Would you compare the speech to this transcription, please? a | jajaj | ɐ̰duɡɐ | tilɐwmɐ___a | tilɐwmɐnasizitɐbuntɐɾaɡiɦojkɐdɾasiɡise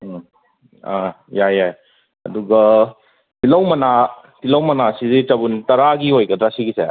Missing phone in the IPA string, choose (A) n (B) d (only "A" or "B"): A